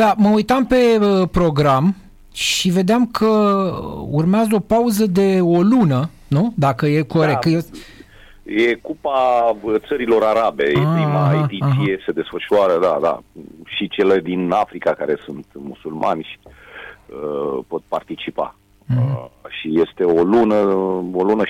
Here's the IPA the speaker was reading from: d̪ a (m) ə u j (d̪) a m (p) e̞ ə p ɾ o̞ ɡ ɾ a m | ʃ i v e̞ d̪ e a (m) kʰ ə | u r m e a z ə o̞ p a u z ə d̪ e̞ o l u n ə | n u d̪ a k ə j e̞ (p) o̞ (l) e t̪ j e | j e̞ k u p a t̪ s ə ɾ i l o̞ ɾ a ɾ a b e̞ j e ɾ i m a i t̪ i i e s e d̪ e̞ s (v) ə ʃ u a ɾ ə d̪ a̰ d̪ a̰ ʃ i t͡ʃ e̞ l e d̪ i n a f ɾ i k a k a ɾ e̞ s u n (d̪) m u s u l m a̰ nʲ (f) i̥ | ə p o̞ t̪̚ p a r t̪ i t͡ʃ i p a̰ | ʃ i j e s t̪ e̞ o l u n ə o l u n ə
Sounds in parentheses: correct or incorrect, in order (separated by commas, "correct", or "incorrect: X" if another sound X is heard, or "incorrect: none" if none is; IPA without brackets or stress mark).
correct, incorrect: t̪, correct, correct, incorrect: k, incorrect: ɾ, incorrect: f, incorrect: t̪, incorrect: ʃ